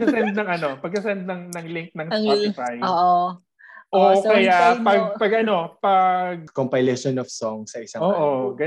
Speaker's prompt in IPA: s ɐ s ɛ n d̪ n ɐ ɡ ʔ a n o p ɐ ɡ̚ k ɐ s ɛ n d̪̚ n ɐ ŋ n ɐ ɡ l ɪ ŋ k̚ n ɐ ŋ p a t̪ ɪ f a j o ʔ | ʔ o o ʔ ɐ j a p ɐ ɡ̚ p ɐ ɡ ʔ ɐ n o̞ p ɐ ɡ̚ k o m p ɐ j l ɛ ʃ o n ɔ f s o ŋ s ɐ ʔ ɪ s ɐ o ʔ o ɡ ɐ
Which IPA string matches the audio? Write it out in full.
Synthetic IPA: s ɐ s ɛ n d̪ n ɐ ŋ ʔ ɐ n o p ɐ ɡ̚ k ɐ s ɛ n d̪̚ n ɐ ŋ n ɐ ŋ l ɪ ŋ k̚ n ɐ ŋ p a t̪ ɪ f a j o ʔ | ʔ o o k ɐ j a p ɐ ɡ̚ p ɐ ɡ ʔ ɐ n o̞ p ɐ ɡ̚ k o m p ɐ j l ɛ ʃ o n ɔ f s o ŋ s ɐ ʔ ɪ s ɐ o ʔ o ɡ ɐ